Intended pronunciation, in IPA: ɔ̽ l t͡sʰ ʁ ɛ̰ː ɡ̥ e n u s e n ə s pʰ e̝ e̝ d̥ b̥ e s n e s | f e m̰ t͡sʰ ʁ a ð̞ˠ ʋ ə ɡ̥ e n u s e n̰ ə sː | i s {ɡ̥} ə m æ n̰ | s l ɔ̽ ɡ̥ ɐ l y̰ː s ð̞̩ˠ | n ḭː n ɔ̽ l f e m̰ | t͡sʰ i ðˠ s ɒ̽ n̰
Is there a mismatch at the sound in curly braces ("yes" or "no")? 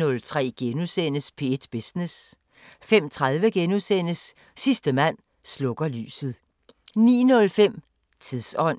yes